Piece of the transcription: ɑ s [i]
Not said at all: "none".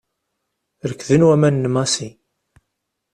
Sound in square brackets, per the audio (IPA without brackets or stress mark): i